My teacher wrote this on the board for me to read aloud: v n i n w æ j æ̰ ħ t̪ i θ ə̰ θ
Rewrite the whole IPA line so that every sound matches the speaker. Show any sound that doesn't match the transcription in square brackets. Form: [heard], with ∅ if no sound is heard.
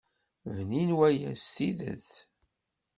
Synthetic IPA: v n i n w æ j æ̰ [s] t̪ i [ð] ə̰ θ